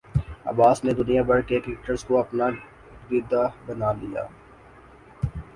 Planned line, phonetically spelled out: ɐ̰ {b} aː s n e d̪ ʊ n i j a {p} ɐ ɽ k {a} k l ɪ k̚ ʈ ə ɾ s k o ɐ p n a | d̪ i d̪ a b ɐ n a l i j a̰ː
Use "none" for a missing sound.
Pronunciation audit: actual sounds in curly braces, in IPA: b, b, e

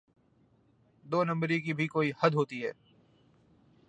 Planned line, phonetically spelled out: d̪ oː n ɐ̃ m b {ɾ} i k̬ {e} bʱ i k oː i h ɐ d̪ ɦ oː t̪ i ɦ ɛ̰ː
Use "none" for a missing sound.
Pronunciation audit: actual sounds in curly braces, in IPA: ɾ, i

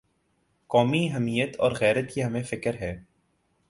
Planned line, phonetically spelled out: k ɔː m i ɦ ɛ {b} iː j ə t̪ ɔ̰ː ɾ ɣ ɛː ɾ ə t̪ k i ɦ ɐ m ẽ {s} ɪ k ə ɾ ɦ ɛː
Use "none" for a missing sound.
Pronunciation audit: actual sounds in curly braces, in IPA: m, f

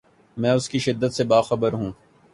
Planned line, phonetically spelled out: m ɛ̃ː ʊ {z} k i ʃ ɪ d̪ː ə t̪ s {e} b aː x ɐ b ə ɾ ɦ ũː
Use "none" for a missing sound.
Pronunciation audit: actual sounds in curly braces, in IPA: s, e

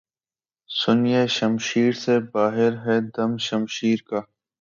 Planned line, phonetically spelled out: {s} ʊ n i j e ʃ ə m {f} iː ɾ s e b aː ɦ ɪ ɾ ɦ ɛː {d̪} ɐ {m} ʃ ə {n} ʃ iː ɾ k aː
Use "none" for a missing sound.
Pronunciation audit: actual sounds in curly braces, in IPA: s, ʃ, d̪, m, m

